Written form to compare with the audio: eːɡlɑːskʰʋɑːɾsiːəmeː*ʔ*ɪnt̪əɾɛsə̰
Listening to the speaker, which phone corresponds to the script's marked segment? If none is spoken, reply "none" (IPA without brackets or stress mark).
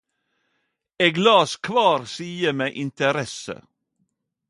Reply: ʔ